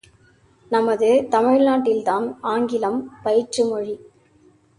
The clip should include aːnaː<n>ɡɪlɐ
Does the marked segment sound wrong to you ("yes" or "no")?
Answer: yes